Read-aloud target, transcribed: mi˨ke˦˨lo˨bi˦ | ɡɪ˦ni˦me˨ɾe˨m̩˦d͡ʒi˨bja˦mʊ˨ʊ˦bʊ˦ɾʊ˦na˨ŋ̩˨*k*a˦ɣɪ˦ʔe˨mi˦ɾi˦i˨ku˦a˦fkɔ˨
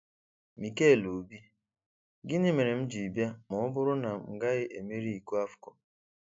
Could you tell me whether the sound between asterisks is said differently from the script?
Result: yes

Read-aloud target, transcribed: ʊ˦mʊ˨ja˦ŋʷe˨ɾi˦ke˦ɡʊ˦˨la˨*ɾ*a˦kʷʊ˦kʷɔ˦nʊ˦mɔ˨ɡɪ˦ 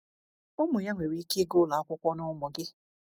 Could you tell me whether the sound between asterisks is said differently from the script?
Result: yes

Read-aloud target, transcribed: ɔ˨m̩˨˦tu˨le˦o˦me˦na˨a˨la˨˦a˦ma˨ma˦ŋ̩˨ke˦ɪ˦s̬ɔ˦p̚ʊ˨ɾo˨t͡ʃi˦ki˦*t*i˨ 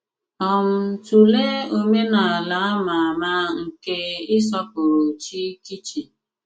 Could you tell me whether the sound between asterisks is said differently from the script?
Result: yes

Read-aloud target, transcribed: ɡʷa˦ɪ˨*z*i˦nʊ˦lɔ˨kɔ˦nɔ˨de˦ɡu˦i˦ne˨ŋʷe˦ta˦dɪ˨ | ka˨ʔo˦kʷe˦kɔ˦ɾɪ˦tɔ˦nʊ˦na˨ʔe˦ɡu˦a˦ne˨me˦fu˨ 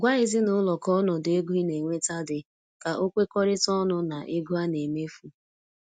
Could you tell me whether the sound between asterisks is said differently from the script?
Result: no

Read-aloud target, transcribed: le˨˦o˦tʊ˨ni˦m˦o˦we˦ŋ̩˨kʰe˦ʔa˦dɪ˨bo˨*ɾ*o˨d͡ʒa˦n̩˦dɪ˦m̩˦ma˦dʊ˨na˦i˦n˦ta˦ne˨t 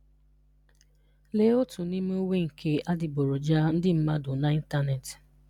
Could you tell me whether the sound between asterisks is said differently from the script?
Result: no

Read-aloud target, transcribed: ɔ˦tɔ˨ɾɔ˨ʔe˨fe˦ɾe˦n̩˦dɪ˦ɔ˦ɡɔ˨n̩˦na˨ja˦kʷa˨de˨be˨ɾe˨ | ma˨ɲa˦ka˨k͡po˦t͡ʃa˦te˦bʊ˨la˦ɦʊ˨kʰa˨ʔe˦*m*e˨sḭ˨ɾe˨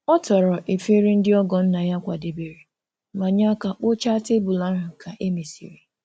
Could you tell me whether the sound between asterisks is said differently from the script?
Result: no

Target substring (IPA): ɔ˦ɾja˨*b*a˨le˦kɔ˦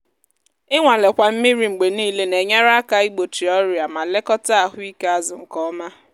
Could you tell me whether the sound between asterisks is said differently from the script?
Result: yes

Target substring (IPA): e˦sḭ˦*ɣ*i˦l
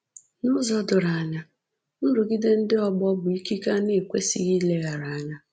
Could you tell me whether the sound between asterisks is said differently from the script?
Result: no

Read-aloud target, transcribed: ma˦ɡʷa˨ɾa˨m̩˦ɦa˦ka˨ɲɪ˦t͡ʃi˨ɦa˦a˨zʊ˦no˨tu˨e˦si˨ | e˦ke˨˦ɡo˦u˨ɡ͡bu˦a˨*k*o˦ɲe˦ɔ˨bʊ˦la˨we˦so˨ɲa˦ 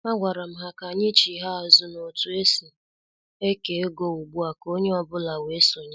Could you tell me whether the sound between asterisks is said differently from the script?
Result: no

